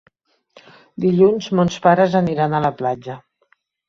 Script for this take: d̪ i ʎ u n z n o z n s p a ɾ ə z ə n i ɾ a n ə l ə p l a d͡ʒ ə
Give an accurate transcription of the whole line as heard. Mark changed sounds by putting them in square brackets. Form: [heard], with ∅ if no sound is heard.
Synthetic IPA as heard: d̪ i ʎ u n z [m] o [∅] n s p a ɾ ə z ə n i ɾ a n ə l ə p l a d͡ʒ ə